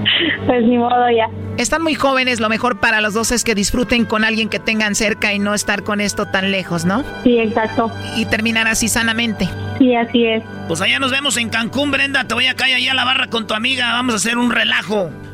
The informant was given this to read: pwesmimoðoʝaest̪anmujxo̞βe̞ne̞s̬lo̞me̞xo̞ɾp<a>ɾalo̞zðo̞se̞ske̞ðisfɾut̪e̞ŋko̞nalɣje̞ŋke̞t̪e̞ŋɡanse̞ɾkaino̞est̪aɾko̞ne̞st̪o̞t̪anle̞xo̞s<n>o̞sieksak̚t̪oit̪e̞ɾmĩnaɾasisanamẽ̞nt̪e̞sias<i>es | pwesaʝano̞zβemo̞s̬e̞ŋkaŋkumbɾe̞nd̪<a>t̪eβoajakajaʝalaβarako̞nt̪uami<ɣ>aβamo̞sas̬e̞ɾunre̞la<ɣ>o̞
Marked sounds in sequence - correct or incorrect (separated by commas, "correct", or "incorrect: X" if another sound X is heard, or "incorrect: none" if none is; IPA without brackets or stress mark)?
correct, correct, correct, correct, correct, incorrect: x